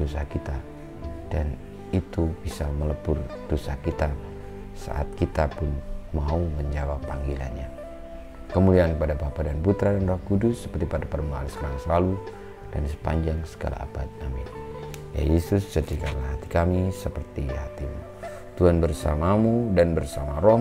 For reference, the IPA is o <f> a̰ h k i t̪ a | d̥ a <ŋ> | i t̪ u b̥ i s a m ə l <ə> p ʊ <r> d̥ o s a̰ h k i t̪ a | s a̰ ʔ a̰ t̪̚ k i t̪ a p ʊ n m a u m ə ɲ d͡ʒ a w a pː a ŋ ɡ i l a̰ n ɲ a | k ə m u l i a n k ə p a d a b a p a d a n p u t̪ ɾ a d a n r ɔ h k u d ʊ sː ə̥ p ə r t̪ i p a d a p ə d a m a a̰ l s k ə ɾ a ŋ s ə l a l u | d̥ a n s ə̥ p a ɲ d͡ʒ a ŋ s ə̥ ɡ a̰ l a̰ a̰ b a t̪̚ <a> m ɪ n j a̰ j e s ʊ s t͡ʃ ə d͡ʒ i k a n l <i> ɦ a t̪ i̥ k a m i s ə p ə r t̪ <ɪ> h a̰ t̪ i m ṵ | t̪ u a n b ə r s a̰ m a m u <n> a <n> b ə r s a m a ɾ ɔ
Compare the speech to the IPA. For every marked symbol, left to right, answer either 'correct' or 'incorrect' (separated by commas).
incorrect, incorrect, correct, correct, correct, incorrect, incorrect, incorrect, correct